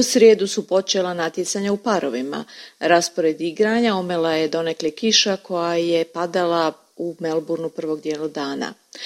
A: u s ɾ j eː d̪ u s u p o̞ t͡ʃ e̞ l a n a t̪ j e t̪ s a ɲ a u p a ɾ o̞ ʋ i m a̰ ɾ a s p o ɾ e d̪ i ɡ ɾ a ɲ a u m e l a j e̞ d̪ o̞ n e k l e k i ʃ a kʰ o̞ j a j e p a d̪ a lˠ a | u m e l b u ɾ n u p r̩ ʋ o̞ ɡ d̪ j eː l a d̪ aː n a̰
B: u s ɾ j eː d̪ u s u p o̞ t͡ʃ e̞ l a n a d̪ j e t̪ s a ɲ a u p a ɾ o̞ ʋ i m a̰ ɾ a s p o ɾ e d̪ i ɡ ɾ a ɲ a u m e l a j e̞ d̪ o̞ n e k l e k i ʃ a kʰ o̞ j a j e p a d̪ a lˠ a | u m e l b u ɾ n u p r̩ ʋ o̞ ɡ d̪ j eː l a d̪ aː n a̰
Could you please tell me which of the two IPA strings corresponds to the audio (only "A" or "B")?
A